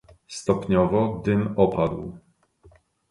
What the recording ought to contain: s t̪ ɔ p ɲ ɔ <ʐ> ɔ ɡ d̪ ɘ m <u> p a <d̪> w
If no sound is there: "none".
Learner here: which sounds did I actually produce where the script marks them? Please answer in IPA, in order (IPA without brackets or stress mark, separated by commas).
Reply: v, ɔ, d̪